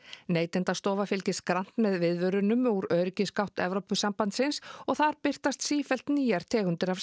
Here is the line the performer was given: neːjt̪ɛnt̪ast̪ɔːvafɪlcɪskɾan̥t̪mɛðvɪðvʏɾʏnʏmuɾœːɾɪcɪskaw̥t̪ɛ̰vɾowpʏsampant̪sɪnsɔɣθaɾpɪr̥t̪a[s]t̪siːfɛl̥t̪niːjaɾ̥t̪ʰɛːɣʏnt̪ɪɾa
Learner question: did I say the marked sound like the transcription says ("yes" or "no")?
yes